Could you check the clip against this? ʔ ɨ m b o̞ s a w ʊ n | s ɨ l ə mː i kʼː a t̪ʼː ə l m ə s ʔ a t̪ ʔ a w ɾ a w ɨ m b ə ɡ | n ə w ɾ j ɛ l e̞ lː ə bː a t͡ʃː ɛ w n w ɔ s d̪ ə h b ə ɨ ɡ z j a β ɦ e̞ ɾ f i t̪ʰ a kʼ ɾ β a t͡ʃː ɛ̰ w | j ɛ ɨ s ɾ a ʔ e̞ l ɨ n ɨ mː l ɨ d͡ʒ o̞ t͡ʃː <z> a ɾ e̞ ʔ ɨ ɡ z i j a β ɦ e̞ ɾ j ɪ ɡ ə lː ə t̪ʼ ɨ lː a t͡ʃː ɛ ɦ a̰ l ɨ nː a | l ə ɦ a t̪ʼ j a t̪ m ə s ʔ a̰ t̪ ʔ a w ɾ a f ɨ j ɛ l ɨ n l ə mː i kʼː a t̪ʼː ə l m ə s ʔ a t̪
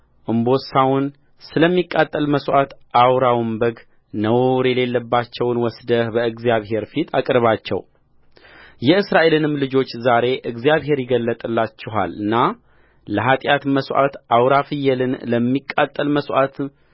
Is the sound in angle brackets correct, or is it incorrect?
correct